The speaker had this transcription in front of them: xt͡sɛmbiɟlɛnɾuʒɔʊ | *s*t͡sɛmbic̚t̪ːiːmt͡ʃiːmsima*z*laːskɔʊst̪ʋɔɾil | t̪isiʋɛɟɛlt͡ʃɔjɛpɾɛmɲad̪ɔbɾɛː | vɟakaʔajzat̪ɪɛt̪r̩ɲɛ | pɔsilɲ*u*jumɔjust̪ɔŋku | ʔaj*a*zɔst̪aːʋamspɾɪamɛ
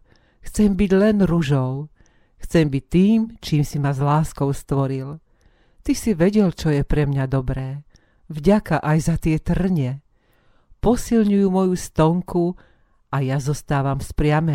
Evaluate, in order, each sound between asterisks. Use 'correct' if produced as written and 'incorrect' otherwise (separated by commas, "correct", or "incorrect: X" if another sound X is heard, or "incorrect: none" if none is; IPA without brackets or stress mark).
incorrect: x, correct, correct, correct